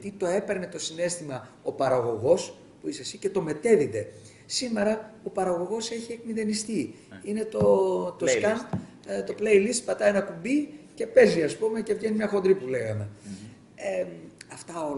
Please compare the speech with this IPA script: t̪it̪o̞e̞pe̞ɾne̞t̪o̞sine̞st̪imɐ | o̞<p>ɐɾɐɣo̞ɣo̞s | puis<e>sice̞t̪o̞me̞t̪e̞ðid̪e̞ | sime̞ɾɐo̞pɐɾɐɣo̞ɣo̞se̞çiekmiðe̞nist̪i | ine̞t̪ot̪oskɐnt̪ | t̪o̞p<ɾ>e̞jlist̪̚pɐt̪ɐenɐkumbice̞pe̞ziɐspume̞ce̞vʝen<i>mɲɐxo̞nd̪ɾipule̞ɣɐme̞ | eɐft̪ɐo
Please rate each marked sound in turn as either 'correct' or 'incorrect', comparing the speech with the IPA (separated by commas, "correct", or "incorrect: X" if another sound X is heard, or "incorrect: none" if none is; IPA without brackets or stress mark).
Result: correct, correct, incorrect: l, correct